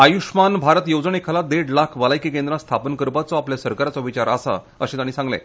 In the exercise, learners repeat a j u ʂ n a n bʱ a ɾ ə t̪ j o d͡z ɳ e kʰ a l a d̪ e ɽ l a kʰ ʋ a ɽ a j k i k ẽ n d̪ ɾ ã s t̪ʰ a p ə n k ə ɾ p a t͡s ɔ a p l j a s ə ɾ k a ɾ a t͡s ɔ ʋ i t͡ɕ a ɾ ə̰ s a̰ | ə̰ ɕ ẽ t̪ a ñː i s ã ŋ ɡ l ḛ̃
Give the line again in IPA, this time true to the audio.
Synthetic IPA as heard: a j u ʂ m a n bʱ a ɾ ə t̪ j o d͡z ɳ e kʰ a l a d̪ e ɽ l a kʰ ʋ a l a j k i k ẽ n d̪ ɾ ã s t̪ʰ a p ə n k ə ɾ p a t͡s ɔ a p l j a s ə ɾ k a ɾ a t͡s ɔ ʋ i t͡ɕ a ɾ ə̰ s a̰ | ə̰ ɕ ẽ t̪ a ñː i s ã ŋ ɡ l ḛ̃